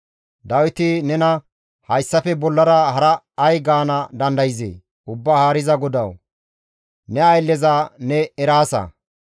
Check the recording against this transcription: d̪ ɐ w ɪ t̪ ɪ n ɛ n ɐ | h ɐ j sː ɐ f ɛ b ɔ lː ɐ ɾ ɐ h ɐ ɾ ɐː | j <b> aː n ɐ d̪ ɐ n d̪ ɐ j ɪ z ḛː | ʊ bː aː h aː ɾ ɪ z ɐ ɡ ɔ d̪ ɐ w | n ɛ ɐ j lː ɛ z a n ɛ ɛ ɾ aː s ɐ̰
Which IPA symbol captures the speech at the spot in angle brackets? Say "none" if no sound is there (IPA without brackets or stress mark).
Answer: ɡ